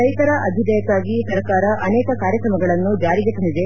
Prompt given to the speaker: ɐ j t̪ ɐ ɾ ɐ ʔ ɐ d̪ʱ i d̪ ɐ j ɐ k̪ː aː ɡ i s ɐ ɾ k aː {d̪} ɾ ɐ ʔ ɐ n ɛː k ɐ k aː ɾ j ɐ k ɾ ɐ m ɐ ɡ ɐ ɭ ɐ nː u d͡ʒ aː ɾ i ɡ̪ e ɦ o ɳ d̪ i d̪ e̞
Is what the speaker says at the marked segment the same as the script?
no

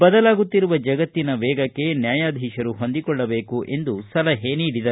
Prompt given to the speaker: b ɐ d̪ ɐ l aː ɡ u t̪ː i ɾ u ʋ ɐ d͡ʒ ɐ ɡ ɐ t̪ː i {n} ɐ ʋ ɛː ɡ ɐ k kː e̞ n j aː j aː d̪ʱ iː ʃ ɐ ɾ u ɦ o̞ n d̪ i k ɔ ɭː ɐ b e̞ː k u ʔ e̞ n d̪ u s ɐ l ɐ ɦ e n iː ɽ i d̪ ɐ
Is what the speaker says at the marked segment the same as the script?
yes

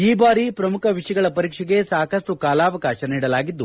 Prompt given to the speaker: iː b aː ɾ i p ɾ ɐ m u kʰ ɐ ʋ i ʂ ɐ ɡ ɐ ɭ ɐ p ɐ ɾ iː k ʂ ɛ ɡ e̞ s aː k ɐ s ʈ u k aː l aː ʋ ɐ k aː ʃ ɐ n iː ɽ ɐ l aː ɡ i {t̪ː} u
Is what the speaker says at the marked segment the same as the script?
no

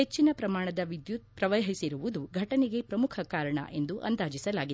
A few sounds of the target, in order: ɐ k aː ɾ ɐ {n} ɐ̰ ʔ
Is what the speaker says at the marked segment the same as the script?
no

